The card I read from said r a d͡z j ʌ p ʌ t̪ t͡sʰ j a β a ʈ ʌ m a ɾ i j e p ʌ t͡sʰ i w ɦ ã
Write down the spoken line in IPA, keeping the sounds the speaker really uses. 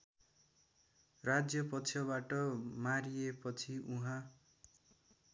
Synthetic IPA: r a d͡z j ʌ p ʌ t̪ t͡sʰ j ʌ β a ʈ ʌ m a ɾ i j e p ʌ t͡sʰ i u ɦ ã